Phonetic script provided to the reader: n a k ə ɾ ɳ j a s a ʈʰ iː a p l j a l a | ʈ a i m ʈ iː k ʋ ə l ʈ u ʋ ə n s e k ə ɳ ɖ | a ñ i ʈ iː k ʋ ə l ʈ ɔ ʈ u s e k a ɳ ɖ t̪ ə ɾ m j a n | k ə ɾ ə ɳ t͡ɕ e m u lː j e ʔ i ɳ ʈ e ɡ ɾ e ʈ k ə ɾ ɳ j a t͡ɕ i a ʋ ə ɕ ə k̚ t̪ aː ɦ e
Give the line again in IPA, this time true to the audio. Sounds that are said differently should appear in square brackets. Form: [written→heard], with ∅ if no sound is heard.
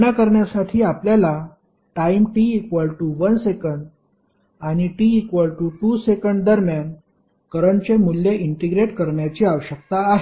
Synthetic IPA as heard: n a k ə ɾ ɳ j a s a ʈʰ iː a p l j a l a | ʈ a i m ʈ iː k ʋ ə l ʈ u ʋ ə n s e k ə ɳ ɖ | a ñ i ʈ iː k ʋ ə l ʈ [ɔ→u] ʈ u s e k [a→ə] ɳ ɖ [t̪→d̪] ə ɾ m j a n | k ə ɾ ə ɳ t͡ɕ e m u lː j e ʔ i ɳ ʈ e ɡ ɾ e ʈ k ə ɾ ɳ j a t͡ɕ i a ʋ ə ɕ ə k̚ t̪ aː ɦ e